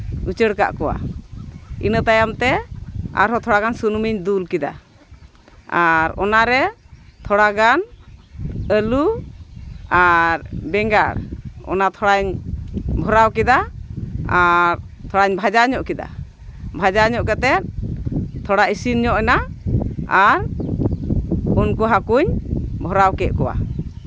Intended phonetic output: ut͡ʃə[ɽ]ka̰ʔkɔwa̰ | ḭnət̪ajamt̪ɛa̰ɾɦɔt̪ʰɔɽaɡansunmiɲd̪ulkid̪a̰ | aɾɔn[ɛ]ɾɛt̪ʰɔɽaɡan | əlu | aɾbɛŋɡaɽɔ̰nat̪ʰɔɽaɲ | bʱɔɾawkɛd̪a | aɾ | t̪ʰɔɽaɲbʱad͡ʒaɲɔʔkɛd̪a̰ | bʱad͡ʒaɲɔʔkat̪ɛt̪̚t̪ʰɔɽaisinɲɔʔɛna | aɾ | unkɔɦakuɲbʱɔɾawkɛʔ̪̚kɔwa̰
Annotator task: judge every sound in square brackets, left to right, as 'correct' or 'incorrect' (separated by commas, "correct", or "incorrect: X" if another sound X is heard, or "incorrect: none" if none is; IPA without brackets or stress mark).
correct, incorrect: a